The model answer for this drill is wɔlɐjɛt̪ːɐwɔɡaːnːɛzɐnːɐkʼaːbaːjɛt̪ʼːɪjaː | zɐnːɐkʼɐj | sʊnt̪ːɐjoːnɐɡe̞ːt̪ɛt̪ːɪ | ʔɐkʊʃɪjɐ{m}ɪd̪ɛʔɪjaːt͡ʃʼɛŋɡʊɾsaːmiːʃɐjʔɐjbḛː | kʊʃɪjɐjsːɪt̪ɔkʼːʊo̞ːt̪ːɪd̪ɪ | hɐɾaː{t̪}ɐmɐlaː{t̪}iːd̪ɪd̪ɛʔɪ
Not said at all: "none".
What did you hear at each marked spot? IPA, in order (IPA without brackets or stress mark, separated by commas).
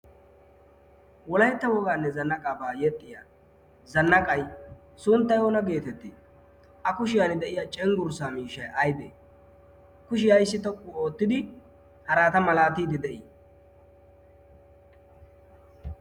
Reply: n, t̪, t̪